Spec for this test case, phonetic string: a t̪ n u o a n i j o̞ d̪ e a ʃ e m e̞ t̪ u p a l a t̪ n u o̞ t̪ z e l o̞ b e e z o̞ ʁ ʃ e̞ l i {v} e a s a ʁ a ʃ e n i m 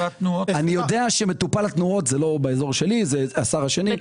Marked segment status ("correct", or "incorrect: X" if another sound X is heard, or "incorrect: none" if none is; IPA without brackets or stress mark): incorrect: z